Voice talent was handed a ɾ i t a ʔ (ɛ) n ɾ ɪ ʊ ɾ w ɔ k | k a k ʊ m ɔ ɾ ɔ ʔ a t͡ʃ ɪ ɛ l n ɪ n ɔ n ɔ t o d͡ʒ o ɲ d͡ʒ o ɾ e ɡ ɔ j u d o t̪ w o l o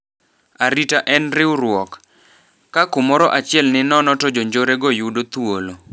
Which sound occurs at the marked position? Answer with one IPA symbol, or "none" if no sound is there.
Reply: ɛ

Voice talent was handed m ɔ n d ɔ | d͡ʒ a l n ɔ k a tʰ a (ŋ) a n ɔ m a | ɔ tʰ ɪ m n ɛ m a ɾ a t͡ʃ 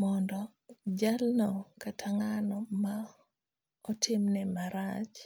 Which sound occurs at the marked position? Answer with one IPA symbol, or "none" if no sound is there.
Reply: ŋ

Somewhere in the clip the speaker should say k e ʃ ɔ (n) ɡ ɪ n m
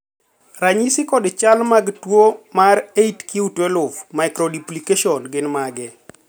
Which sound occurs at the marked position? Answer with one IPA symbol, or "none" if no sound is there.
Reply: n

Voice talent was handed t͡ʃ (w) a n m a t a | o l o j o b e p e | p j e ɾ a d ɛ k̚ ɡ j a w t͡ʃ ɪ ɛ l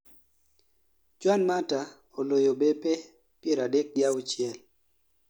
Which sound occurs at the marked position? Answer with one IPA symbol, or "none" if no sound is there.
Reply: w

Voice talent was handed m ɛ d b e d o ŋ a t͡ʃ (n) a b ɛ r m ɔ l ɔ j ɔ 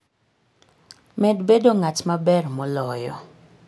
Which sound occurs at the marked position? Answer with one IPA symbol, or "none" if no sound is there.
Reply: m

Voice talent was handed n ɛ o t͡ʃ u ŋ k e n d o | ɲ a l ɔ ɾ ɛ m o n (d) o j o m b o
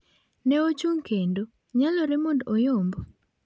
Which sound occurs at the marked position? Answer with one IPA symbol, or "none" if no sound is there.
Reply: d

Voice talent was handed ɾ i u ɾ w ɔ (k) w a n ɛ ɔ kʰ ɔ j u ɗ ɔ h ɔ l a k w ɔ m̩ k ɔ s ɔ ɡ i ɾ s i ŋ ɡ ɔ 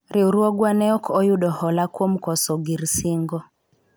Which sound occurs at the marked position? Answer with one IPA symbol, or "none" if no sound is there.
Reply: ɡ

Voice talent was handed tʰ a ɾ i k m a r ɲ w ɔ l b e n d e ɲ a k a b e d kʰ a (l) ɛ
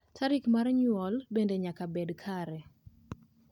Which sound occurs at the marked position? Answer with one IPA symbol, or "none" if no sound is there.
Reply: ɾ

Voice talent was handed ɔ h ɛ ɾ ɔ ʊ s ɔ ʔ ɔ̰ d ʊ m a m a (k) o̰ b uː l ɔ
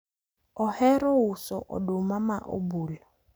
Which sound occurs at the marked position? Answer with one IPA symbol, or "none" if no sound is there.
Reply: ʔ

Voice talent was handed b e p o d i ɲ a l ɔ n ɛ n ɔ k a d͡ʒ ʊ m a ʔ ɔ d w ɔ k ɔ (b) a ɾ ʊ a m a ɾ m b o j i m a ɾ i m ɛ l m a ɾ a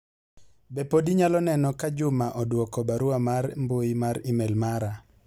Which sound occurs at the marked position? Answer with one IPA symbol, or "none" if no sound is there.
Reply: b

